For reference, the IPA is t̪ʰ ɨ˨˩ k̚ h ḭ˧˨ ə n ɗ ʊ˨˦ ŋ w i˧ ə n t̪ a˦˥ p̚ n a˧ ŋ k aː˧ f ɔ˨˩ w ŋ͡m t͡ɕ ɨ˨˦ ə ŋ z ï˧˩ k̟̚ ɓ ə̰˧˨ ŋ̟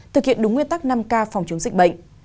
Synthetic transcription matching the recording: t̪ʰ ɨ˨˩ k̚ h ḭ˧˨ ə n ɗ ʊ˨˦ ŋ w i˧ ə n t̪ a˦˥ k̚ n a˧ m k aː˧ f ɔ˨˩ w ŋ͡m t͡ɕ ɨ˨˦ ə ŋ z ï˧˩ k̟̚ ɓ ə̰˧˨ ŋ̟